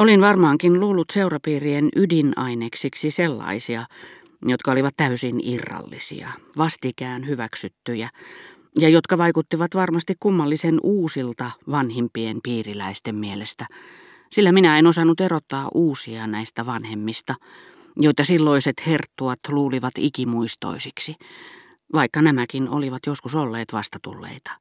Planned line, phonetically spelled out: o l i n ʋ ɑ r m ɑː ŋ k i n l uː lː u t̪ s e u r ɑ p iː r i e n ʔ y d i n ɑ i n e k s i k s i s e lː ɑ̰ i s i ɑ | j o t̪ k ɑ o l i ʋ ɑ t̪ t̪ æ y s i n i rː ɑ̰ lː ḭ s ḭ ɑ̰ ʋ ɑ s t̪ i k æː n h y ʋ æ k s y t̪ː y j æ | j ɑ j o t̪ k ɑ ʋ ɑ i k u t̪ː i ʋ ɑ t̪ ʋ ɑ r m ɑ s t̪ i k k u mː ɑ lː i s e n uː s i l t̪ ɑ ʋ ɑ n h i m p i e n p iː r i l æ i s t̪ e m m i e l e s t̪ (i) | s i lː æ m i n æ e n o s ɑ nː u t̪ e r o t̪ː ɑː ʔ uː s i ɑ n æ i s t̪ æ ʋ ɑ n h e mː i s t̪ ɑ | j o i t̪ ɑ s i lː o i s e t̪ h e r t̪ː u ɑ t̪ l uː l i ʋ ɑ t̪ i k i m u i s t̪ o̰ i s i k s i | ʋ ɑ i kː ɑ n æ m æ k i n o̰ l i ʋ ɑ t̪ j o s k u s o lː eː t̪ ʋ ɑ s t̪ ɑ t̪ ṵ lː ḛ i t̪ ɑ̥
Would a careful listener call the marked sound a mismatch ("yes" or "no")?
yes